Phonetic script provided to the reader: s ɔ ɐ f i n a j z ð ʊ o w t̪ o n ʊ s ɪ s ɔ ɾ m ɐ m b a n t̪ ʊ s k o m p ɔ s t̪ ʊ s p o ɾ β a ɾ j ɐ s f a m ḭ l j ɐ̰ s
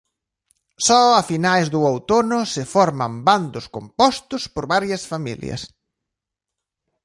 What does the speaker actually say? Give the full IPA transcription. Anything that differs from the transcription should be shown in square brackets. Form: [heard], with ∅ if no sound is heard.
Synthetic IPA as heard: s ɔ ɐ f i n a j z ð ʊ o w t̪ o n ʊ s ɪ [f] ɔ ɾ m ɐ m b a n [d̪] ʊ s k o m p ɔ s t̪ ʊ s p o ɾ β a ɾ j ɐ s f a m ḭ l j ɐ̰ s